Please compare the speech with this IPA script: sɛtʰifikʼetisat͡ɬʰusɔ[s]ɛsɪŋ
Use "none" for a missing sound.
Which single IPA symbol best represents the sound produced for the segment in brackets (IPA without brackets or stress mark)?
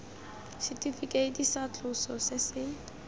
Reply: s